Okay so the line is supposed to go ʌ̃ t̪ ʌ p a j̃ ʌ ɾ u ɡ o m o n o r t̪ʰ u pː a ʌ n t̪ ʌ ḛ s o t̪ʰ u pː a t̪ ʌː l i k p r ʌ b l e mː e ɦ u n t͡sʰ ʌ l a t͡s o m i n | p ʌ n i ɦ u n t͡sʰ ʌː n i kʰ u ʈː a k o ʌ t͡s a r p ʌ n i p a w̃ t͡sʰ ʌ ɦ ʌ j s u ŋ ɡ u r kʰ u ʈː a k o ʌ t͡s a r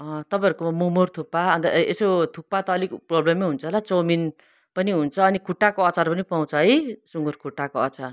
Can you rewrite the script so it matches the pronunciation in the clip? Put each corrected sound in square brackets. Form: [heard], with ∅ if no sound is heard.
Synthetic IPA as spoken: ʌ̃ t̪ ʌ p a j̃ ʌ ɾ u [k] o m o [m] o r t̪ʰ u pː a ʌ n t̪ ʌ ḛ s o t̪ʰ u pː a t̪ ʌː l i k p r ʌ b l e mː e ɦ u n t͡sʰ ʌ l a t͡s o m i n | p ʌ n i ɦ u n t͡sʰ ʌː n i kʰ u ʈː a k o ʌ t͡s a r p ʌ n i p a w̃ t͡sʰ ʌ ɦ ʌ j s u ŋ ɡ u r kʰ u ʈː a k o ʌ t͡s a r